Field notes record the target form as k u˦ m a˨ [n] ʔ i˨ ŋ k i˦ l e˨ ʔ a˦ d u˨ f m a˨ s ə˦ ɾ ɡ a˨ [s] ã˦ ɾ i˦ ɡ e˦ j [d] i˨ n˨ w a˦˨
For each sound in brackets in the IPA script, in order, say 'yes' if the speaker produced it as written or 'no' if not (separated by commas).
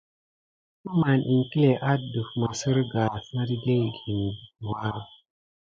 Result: yes, yes, no